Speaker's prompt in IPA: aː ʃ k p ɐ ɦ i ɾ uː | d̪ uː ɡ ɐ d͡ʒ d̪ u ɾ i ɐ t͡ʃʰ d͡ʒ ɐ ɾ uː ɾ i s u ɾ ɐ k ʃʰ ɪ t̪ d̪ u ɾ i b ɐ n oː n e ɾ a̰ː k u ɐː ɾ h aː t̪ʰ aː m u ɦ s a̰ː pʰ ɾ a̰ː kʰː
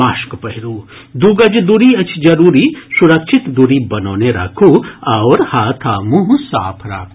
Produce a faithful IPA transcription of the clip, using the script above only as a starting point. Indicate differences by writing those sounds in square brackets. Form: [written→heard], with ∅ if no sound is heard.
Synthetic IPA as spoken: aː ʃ k p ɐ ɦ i ɾ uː | d̪ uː ɡ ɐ d͡ʒ d̪ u ɾ i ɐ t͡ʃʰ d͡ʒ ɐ ɾ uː ɾ i s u ɾ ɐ k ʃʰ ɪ t̪ d̪ u ɾ i b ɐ n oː n e ɾ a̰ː [k→kʰ] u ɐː ɾ h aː t̪ʰ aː m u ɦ s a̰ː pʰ ɾ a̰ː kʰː

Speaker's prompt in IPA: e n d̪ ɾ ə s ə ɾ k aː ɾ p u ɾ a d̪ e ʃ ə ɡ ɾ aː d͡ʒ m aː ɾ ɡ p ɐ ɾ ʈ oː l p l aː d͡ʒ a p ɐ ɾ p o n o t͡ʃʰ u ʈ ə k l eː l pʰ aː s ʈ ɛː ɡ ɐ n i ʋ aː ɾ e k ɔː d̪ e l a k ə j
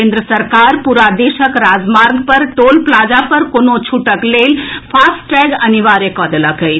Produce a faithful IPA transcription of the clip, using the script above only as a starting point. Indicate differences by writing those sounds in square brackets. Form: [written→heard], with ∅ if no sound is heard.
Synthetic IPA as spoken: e n d̪ ɾ ə s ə ɾ k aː ɾ p u ɾ a d̪ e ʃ ə [ɡ→k] ɾ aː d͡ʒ m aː ɾ ɡ p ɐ ɾ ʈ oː l p l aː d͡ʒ a p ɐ ɾ [p→k] o n o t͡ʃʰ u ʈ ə k l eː l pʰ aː s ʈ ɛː ɡ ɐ n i ʋ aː ɾ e k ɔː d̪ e l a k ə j

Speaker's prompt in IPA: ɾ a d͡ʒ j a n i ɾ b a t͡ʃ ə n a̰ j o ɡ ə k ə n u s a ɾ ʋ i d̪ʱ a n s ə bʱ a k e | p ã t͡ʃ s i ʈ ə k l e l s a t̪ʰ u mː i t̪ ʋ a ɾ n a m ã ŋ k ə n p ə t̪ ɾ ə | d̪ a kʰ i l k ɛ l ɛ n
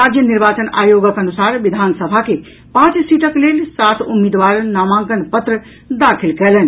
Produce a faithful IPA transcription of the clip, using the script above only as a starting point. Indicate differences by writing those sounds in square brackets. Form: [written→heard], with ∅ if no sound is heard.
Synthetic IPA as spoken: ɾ a d͡ʒ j [a→ə] n i ɾ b a t͡ʃ ə n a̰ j o ɡ ə k ə n u s a ɾ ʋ i d̪ʱ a n s ə bʱ a k e | p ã t͡ʃ s i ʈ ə k l e l s a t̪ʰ u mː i [t̪→d̪] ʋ a ɾ n a m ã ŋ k ə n p ə t̪ ɾ ə | d̪ a kʰ i l k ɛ l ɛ n

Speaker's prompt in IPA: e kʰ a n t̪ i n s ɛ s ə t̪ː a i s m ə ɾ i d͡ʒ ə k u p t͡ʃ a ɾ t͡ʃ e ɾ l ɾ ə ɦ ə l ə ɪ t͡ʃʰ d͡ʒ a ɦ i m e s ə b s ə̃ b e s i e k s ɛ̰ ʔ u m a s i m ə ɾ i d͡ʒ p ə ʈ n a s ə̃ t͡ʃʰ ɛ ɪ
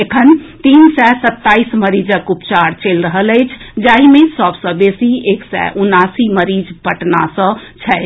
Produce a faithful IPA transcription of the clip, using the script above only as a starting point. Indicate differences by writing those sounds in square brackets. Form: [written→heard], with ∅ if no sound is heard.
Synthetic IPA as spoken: e kʰ [a→ə] n t̪ i n s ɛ s ə t̪ː a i s m ə ɾ i d͡ʒ ə k u p t͡ʃ a ɾ t͡ʃ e [ɾ→∅] l ɾ ə ɦ ə l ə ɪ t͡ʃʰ d͡ʒ a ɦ i m e s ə b s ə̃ b e s i e k s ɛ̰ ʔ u [m→n] a s i m ə ɾ i d͡ʒ p ə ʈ n a s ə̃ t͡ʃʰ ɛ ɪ

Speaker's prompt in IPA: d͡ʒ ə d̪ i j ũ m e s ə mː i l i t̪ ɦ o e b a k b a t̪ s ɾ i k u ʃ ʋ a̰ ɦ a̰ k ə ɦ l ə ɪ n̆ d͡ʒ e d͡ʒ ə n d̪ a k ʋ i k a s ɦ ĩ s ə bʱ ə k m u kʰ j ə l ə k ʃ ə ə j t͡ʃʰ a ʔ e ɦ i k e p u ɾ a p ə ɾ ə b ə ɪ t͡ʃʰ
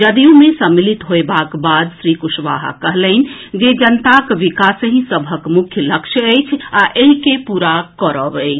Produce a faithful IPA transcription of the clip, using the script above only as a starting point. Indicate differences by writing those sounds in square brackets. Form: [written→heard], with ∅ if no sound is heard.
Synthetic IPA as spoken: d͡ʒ ə d̪ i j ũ m e s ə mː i l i t̪ ɦ o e b a k b a [t̪→d̪] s ɾ i k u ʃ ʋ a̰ ɦ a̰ k ə ɦ l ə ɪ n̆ d͡ʒ e d͡ʒ ə n [d̪→t̪] a k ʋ i k a s ɦ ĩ s ə bʱ ə k m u kʰ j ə l ə k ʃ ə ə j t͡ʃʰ a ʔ e ɦ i k e p u ɾ a [p→k] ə ɾ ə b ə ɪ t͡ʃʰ

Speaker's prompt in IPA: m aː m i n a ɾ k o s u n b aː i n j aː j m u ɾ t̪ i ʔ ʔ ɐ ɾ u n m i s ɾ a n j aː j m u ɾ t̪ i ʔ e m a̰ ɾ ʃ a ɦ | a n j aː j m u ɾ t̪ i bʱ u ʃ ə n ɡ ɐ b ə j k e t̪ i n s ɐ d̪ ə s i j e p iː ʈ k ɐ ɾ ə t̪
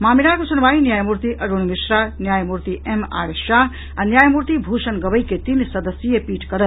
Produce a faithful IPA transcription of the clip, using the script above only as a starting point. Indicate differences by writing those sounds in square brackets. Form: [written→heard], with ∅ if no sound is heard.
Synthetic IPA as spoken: m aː m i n a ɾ k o s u n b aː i n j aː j m u ɾ t̪ i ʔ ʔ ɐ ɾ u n m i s ɾ a n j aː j m u ɾ t̪ i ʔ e m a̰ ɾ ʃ a ɦ | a n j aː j m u ɾ t̪ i bʱ u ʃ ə n ɡ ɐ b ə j k e t̪ i n s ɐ d̪ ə s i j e p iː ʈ k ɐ ɾ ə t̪

